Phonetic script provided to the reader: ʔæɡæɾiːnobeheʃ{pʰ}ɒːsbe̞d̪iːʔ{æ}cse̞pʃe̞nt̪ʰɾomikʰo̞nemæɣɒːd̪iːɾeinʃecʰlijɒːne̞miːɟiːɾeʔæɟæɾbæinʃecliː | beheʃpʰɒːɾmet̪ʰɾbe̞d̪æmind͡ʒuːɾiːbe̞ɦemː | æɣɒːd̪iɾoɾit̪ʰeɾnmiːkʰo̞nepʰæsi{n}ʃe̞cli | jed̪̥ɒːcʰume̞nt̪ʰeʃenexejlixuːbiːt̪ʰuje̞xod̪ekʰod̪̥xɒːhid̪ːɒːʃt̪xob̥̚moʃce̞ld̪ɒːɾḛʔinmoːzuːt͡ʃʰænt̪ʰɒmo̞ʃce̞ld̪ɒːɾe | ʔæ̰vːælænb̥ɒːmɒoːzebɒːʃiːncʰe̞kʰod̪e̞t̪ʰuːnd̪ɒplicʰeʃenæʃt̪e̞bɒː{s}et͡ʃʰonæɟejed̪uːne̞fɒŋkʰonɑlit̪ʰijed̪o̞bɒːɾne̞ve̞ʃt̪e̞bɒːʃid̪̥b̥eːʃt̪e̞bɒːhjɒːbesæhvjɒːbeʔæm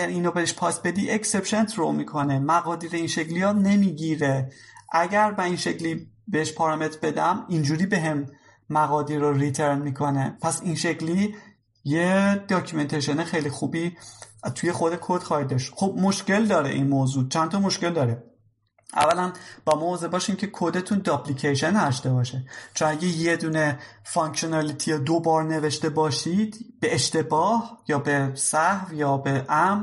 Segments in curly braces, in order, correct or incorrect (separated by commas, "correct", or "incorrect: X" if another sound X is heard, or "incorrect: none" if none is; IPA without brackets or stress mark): correct, incorrect: e, correct, incorrect: ʃ